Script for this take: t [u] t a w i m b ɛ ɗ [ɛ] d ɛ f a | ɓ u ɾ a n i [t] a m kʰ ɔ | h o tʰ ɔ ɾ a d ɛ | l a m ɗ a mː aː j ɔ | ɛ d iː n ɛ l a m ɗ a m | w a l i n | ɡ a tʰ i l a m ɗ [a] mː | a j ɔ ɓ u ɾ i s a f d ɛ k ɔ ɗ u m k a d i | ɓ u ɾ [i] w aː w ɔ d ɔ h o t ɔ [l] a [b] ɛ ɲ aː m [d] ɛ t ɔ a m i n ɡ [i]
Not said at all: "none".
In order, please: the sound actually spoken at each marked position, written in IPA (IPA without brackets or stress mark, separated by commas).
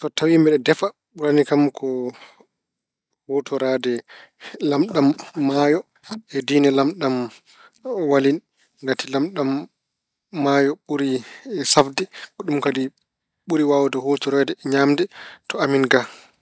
ɔ, ɛ, k, a, i, ɾ, d, d, a